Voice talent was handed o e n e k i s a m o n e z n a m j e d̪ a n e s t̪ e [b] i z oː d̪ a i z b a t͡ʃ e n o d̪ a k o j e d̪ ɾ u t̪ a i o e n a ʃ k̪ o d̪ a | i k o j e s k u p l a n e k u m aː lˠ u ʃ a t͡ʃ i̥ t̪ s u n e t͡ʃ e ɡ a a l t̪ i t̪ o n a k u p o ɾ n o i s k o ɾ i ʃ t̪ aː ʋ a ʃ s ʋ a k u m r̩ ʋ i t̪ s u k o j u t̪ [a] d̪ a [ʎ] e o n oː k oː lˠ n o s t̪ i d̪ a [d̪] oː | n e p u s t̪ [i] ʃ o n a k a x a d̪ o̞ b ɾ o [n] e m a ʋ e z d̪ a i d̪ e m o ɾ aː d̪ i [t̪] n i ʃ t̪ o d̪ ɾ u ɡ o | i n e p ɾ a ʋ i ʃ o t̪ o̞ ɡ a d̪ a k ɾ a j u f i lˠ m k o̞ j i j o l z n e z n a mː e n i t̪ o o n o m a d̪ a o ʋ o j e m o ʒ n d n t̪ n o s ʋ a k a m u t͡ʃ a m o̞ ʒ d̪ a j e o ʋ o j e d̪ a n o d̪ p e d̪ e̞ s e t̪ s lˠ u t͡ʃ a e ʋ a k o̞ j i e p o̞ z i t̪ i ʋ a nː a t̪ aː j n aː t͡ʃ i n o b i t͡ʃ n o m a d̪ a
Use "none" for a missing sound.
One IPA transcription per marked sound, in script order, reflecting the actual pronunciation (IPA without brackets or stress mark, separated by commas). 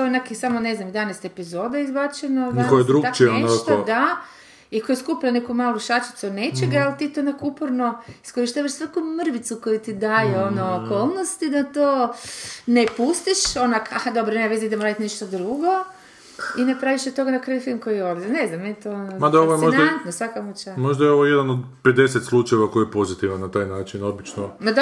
p, i, j, t̪, i, n, t̪